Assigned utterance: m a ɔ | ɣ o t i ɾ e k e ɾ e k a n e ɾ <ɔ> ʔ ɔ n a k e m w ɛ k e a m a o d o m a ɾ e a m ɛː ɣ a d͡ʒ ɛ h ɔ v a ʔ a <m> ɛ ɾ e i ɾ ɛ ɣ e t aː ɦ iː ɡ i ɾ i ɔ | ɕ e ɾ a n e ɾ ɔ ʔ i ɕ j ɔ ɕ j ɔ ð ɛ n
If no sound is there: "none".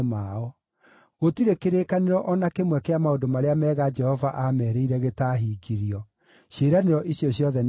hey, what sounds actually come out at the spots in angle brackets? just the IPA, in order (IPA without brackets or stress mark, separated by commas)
ɔ, m